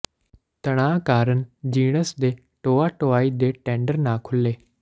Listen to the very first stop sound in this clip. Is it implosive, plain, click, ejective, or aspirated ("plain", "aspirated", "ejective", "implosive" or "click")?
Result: plain